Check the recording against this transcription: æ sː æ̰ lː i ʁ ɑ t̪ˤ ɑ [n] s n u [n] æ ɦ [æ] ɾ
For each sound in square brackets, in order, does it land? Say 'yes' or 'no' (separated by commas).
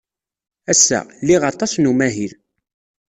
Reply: no, no, no